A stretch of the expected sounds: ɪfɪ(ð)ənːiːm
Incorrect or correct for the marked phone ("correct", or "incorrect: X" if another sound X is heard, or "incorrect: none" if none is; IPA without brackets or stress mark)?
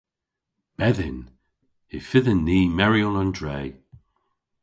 correct